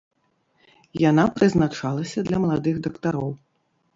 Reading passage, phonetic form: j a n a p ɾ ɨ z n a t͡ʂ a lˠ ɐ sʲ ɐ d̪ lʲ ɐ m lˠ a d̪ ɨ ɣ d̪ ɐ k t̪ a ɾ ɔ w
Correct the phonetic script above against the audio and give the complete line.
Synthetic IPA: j a n a p ɾ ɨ z n a t͡ʂ a lˠ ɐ sʲ ɐ d̪ lʲ ɐ m lˠ a d̪ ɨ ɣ d̪ ɐ k t̪ a ɾ ɔ w

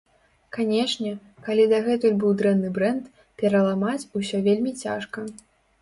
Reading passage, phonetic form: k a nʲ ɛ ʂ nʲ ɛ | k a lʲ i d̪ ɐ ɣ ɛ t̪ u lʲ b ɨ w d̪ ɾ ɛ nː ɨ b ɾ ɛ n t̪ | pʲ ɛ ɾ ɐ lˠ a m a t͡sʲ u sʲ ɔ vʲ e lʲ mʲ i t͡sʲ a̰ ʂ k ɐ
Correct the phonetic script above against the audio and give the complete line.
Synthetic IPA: k a nʲ ɛ ʂ nʲ ɛ | k a lʲ i d̪ ɐ ɣ ɛ t̪ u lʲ b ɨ w d̪ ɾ ɛ nː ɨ b ɾ ɛ n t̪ | pʲ ɛ ɾ ɐ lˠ a m a t͡sʲ u sʲ ɔ vʲ e lʲ mʲ i t͡sʲ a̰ ʂ k ɐ

